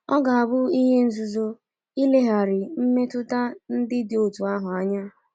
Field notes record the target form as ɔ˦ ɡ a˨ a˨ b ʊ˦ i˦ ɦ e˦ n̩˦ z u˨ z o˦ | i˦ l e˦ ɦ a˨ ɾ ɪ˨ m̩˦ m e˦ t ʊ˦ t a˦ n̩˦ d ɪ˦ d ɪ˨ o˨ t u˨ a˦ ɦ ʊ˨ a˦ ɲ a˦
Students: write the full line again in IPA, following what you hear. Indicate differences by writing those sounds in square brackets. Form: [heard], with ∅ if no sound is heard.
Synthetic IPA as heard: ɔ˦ ɡ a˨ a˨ b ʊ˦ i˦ ɦ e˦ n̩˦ z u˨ z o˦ | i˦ l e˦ ɦ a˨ ɾ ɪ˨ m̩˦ m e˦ t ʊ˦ t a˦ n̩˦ d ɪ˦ d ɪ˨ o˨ t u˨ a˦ ɦ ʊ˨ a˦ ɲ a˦